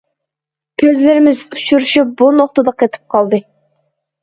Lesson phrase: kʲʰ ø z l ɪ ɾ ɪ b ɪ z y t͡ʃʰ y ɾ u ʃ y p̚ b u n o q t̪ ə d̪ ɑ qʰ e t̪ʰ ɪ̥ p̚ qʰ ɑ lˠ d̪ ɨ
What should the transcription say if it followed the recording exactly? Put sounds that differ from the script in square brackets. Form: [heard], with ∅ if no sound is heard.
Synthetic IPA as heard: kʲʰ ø z l ɪ ɾ ɪ [m] ɪ z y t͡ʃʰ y ɾ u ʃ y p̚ b u n o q t̪ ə d̪ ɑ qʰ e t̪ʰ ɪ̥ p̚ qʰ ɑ lˠ d̪ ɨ

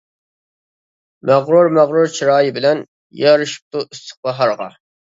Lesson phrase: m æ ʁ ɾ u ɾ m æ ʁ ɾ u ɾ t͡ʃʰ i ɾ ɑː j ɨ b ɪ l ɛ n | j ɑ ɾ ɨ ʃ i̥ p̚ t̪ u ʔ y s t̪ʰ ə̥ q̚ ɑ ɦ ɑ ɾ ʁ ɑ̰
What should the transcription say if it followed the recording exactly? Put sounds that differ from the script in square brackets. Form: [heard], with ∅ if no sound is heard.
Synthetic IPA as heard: m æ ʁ ɾ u ɾ m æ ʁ ɾ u ɾ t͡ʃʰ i ɾ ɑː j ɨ b ɪ l ɛ n | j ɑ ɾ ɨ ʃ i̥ p̚ t̪ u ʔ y s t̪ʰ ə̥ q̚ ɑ ɦ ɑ ɾ ʁ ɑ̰

